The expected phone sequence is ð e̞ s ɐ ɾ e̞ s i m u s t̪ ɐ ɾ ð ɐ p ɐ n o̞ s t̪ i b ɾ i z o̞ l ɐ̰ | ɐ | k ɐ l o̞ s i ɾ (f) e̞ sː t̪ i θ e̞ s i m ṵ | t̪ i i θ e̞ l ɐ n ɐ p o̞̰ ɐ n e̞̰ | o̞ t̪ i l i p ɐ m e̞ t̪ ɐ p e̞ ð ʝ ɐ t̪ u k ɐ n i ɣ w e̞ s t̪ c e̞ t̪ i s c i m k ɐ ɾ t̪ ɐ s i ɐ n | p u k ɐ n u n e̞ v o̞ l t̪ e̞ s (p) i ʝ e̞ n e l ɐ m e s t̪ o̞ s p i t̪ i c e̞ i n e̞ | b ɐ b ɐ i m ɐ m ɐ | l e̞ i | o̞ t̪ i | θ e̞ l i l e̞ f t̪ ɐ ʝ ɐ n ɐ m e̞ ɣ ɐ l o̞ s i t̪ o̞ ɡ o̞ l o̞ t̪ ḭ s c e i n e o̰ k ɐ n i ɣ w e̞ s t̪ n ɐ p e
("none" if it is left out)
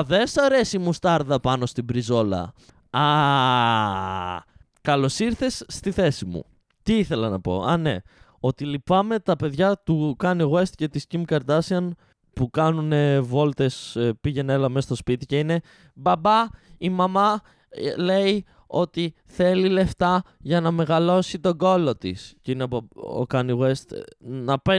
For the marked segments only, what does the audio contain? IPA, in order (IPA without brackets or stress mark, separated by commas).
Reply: θ, p